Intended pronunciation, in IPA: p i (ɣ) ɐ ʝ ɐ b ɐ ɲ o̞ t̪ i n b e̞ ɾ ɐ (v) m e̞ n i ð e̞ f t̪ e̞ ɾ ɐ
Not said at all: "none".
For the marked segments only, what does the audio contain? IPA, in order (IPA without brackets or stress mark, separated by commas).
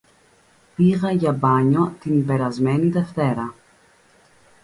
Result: ɣ, z